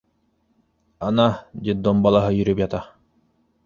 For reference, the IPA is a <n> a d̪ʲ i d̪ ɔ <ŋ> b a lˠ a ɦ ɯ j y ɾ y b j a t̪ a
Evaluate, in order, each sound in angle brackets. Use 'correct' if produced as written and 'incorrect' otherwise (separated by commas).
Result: correct, incorrect